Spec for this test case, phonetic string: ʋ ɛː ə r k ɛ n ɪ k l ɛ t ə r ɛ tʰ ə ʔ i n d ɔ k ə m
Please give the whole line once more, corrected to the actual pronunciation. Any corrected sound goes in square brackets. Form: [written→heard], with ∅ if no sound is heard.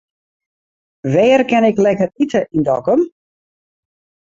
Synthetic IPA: ʋ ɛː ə r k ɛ n ɪ k l ɛ [t→k] ə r [ɛ→i] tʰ ə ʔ i n d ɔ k ə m